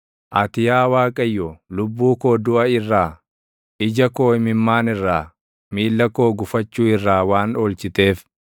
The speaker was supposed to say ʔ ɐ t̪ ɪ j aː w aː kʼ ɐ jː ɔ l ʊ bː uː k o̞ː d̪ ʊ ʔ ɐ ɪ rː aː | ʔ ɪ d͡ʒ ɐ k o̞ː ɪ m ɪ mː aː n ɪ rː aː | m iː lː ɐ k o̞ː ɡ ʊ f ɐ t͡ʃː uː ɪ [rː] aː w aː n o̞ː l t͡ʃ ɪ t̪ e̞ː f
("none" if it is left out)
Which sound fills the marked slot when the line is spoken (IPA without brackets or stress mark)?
rː